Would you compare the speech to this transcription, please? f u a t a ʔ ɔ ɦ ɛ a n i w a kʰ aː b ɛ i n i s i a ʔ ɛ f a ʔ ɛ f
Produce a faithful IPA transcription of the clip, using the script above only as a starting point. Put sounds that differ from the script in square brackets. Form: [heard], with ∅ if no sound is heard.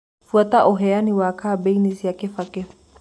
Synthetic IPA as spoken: f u a t a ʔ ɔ ɦ ɛ a n i w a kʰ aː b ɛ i n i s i a [k] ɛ f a [k] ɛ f